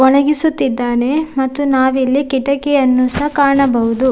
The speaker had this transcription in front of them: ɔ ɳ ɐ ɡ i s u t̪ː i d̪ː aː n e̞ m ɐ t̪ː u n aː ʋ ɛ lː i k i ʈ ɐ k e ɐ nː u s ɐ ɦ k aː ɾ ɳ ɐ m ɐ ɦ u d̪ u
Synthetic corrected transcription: ɔ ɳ ɐ ɡ i s u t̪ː i d̪ː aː n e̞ m ɐ t̪ː u n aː ʋ i lː i k i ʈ ɐ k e ɐ nː u s ɐ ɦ k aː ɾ ɳ ɐ b ɐ ɦ u d̪ u